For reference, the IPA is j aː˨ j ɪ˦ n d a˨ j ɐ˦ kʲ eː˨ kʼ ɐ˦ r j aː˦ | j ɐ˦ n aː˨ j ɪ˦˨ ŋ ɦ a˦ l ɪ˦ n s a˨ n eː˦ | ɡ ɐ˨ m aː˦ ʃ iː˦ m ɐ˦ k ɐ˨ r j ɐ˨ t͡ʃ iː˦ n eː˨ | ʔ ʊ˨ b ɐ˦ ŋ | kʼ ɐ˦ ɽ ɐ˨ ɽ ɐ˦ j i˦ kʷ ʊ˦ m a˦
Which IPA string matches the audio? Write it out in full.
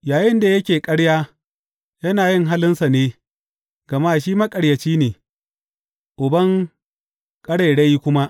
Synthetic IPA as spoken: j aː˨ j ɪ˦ n d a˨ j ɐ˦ kʲ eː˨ kʼ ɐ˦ ɽ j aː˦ | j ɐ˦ n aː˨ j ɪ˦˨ ŋ ɦ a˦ l ɪ˦ n s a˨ n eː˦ | ɡ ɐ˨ m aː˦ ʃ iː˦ m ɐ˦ kʼ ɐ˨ ɽ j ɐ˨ t͡ʃ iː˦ n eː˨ | ʔ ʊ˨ b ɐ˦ ŋ | kʼ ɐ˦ ɽ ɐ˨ ɽ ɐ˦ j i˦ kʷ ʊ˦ m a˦

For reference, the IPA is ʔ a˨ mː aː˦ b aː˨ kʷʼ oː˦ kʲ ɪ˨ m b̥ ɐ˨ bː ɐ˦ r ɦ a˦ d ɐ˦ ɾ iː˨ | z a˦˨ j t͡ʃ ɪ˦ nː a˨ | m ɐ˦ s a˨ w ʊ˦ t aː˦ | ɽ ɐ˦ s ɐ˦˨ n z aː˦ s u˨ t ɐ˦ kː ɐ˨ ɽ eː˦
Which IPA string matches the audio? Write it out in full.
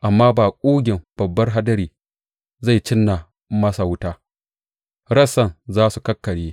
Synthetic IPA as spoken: ʔ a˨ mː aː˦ b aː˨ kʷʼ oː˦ ɡʲ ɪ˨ m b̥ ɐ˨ bː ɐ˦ r ɦ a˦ d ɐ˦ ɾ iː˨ | z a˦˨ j t͡ʃ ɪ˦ nː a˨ | m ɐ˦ s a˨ w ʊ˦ t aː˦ | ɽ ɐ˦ s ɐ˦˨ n z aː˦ s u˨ k ɐ˦ kː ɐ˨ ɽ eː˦

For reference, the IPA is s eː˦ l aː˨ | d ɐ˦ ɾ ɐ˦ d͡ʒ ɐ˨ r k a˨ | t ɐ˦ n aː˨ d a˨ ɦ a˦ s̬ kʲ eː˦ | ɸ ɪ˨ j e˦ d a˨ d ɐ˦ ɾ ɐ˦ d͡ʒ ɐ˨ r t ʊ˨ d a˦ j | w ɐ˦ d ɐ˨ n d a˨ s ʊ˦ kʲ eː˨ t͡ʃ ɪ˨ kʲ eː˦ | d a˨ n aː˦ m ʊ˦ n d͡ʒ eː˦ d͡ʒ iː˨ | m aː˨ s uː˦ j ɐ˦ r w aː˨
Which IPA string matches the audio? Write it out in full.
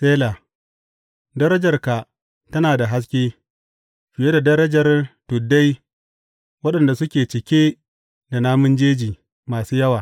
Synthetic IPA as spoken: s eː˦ l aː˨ | d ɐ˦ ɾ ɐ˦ d͡ʒ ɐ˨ r k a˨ | t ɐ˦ n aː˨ d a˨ ɦ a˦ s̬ kʲ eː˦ | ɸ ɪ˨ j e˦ d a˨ d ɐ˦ ɾ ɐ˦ d͡ʒ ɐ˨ r t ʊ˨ d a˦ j | w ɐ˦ ɗ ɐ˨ n d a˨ s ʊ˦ kʲ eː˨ t͡ʃ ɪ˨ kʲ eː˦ | d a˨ n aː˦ m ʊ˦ n d͡ʒ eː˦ d͡ʒ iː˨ | m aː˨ s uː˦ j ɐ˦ w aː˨

